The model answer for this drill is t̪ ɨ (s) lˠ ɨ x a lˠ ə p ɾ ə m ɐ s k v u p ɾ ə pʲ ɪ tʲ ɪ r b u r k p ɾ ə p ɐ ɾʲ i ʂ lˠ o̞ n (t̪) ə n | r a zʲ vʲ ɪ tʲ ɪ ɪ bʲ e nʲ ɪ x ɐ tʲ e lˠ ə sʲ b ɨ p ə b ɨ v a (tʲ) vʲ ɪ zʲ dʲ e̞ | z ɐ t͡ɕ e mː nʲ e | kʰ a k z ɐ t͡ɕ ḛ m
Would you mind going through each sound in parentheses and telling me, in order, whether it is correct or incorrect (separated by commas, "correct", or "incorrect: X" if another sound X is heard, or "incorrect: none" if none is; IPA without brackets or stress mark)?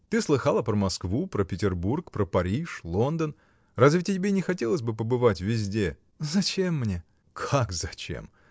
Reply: correct, incorrect: d̪, correct